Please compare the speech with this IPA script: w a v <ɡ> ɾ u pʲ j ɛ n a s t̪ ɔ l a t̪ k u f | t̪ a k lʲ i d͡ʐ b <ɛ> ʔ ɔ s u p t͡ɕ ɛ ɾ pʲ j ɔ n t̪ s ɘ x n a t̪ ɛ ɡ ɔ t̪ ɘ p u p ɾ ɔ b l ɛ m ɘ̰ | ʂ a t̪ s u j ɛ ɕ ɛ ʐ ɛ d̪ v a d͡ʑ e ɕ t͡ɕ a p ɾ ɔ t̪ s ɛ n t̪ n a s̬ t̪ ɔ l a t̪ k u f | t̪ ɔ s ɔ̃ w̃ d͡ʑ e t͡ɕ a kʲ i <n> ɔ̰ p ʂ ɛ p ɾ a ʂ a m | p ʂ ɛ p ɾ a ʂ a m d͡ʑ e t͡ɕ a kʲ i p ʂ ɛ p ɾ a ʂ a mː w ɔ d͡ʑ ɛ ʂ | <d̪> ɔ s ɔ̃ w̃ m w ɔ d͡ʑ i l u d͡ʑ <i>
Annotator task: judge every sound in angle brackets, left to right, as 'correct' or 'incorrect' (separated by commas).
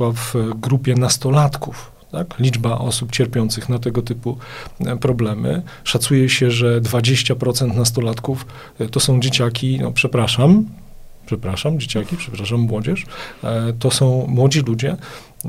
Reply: correct, incorrect, correct, incorrect, incorrect